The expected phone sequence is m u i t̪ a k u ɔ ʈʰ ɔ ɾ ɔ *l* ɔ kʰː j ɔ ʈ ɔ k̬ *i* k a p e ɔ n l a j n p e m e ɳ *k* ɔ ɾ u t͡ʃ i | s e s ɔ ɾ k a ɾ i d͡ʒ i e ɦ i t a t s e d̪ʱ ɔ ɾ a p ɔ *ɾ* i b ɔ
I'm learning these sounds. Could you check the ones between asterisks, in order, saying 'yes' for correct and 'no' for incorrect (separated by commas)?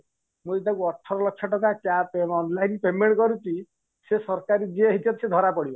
yes, no, yes, no